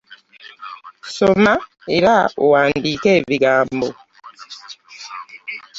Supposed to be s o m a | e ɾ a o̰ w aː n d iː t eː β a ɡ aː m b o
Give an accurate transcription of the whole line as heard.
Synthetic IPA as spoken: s o m a | e ɾ a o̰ w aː n d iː k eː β i ɡ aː m b o